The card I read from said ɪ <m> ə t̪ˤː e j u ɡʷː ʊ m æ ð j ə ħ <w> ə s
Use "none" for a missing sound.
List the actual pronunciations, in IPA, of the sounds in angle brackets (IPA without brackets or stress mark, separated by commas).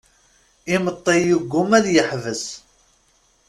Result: m, v